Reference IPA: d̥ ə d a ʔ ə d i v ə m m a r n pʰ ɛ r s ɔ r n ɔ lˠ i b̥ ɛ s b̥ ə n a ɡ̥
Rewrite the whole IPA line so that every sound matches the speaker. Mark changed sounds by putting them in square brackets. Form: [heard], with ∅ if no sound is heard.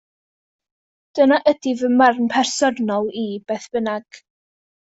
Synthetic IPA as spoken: d̥ ə [n] a ʔ ə d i v ə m m a r n pʰ ɛ r s ɔ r n ɔ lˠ i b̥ ɛ [θ] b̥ ə n a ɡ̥